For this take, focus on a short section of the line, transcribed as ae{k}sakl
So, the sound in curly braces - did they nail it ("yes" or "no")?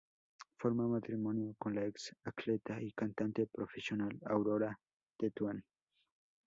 yes